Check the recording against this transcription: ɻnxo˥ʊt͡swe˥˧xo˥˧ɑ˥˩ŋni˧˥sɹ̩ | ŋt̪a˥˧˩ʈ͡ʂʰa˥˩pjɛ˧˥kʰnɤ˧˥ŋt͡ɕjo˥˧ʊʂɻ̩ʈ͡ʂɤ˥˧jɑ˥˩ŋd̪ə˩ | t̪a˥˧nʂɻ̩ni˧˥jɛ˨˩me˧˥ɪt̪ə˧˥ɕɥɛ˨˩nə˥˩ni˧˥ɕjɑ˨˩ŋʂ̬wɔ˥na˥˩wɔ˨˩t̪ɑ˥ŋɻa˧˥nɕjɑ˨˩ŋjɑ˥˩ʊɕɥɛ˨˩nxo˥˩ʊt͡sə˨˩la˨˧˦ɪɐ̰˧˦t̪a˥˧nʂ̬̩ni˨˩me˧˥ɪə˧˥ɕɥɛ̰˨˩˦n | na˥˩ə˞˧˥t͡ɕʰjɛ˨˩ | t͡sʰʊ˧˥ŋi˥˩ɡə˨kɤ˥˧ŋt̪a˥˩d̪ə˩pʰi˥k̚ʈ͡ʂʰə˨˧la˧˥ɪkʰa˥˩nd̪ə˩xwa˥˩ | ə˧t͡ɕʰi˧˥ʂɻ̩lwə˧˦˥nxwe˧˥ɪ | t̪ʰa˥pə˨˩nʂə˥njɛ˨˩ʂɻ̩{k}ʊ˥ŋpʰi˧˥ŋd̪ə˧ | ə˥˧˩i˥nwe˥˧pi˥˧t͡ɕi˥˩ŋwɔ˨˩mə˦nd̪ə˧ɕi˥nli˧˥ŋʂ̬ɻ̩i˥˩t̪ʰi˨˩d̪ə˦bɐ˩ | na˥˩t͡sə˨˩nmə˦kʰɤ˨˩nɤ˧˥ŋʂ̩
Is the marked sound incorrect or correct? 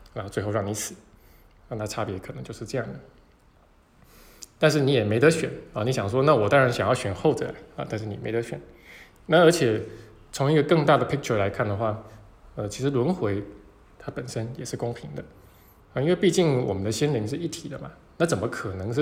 correct